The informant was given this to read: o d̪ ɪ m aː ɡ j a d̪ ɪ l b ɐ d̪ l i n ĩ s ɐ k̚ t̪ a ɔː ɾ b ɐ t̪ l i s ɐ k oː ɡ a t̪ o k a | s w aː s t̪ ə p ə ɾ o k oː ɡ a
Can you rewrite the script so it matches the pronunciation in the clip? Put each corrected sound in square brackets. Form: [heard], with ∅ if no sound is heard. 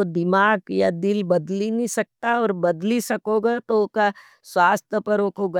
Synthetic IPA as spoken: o d̪ ɪ m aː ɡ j a d̪ ɪ l b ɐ d̪ l i n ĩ s ɐ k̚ t̪ a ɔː ɾ b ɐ [d̪] l i s ɐ k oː ɡ a t̪ o k a | s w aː s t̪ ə p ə ɾ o k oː ɡ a